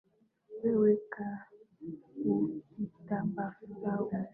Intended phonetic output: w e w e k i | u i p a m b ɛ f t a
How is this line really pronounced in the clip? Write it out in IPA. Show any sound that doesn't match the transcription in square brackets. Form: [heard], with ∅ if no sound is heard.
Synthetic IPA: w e w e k [a] | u i [t] a m b [a] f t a